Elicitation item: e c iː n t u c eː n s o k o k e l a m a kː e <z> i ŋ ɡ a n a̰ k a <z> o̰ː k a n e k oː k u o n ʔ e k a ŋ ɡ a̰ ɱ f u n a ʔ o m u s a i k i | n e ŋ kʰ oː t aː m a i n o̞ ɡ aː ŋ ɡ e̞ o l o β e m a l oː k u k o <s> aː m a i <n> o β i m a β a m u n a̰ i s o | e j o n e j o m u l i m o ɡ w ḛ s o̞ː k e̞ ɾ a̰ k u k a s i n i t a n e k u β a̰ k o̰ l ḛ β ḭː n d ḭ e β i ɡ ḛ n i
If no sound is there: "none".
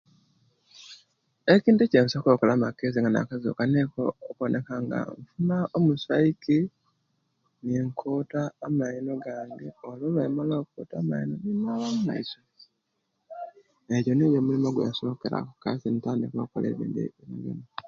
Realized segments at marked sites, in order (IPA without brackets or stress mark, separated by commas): z, z, t, n